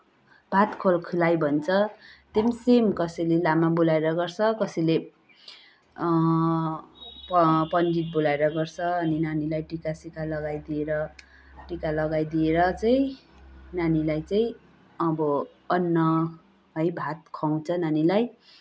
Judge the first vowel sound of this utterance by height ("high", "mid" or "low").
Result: low